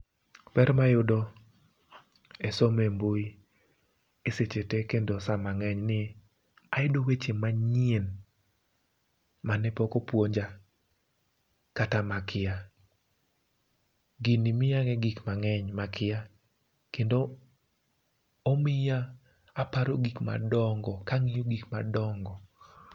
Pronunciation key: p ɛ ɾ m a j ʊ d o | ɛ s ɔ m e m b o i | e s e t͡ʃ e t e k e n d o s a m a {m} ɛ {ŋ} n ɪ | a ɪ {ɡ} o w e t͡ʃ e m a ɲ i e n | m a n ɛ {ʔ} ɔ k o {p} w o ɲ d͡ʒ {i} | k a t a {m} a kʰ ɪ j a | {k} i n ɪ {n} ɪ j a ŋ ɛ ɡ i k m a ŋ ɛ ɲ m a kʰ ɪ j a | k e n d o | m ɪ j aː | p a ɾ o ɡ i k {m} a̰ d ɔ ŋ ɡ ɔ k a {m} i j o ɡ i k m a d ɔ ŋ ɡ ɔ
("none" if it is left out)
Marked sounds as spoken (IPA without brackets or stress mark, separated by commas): ŋ, ɲ, d, p, p, a, m, ɡ, m, m, ŋ